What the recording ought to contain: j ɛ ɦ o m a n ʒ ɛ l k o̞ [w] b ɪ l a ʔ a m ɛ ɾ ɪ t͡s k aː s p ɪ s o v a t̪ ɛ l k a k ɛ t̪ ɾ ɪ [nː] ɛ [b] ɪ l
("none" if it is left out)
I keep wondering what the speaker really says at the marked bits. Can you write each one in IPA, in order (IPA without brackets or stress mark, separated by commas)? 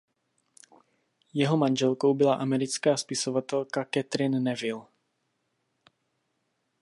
w, nː, v